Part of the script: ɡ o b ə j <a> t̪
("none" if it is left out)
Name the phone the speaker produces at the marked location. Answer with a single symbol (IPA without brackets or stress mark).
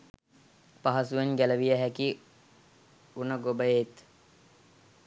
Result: e